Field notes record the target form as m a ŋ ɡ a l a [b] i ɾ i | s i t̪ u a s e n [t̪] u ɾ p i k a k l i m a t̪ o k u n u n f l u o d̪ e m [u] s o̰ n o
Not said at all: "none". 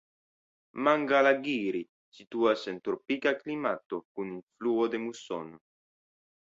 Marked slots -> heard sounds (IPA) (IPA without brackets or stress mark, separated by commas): ɡ, t̪, u